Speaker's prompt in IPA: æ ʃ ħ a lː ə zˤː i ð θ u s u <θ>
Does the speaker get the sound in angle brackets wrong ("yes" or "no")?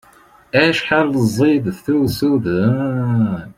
yes